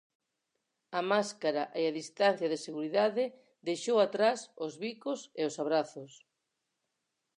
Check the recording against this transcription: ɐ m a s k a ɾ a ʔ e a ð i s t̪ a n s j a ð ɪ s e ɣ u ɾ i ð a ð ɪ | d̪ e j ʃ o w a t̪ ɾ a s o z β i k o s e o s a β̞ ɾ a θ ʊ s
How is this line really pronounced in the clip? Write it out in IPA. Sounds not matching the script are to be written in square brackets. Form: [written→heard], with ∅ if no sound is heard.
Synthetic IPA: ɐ m a s k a ɾ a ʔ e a ð i s t̪ a n [s→θ] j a ð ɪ s e ɣ u ɾ i ð a ð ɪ | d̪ e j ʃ o w a t̪ ɾ a s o z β i k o s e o s a β̞ ɾ a θ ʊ s